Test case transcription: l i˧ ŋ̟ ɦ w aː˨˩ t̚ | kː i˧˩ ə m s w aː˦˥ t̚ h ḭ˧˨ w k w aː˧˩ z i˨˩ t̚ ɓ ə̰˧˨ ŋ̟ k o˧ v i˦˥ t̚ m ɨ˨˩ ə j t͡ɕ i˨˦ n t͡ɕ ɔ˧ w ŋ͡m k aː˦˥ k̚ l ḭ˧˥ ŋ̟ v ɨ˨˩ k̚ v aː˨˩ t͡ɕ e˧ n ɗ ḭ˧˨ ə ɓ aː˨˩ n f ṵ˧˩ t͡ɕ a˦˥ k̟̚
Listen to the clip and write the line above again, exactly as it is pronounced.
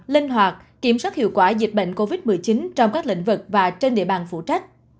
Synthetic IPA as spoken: l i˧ ŋ̟ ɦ w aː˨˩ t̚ | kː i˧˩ ə m s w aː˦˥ t̚ h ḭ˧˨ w k w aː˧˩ z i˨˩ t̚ ɓ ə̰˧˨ ŋ̟ k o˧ v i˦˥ t̚ m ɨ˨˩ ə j t͡ɕ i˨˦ n t͡ɕ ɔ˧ w ŋ͡m k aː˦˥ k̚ l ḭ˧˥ ŋ̟ v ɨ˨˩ k̚ v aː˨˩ t͡ɕ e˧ n ɗ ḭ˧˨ ə ɓ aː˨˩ n f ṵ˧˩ t͡ɕ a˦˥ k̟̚